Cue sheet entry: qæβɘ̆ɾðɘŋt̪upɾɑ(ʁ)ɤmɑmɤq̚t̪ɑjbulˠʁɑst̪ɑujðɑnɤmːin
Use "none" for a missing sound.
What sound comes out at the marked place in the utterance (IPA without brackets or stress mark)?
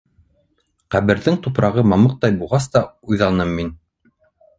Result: ʁ